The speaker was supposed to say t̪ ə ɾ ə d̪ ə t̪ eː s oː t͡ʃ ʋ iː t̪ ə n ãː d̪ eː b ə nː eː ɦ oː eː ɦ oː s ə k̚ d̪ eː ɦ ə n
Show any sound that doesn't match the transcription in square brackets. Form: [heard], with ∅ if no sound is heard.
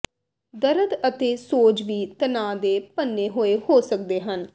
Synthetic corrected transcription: [d̪] ə ɾ ə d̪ ə t̪ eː s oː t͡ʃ ʋ iː t̪ ə n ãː d̪ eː [p] ə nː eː ɦ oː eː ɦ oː s ə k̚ d̪ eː ɦ ə n